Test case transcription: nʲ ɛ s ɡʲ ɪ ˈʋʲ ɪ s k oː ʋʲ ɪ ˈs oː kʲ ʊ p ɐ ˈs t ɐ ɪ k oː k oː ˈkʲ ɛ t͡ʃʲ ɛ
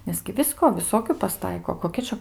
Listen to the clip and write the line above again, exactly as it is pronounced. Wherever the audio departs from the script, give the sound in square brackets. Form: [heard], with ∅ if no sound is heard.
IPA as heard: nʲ ɛ s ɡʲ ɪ ˈʋʲ ɪ s k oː ʋʲ ɪ ˈs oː kʲ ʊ p ɐ ˈs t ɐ ɪ k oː k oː ˈkʲ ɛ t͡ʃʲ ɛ